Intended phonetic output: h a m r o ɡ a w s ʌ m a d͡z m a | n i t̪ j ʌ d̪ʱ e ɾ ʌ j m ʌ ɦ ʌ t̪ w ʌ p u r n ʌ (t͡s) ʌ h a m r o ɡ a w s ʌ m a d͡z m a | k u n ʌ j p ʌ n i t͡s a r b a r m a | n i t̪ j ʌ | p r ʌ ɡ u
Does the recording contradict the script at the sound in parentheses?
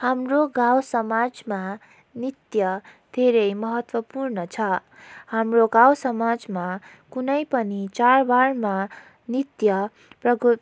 yes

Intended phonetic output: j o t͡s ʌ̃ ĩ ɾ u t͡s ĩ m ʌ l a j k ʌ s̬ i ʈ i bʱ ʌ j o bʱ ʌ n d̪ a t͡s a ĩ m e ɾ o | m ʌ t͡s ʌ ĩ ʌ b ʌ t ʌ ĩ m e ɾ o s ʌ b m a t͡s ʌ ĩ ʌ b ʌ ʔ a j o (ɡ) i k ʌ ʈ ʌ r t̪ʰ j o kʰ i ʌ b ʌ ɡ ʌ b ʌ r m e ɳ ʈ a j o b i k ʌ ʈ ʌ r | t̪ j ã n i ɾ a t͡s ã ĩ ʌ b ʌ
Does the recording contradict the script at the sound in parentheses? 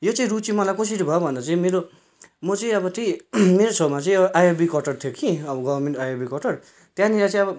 yes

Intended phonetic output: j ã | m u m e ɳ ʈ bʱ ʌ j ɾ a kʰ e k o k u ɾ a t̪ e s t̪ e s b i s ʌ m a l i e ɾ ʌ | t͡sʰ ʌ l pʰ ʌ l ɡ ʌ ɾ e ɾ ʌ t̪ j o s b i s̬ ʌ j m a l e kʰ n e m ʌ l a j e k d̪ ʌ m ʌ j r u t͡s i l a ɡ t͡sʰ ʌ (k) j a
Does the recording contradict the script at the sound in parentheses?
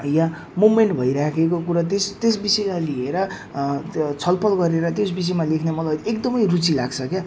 no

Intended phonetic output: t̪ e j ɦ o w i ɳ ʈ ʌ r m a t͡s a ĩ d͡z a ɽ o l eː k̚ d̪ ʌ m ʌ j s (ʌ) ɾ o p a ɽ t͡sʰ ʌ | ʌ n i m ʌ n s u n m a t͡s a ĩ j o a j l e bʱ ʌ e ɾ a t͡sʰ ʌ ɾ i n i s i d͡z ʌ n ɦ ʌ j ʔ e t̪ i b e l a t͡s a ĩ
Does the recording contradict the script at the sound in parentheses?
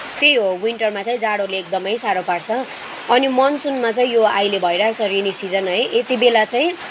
yes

